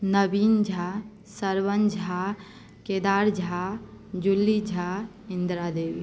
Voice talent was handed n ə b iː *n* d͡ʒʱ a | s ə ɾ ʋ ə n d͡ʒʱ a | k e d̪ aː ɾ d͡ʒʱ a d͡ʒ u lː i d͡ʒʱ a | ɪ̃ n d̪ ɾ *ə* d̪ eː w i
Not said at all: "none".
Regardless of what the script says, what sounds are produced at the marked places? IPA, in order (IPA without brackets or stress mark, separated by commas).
n, a